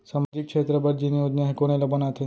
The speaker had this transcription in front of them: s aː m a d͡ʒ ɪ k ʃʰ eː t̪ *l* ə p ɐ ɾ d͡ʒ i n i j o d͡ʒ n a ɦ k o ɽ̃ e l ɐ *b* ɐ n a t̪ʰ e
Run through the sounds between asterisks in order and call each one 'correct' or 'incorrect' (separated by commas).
incorrect, correct